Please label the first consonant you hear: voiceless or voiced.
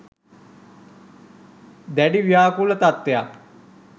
voiced